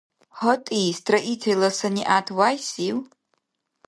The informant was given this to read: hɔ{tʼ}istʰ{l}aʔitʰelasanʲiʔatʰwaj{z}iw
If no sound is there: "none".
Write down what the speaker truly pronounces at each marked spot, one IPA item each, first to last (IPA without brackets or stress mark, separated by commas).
tʼ, r, s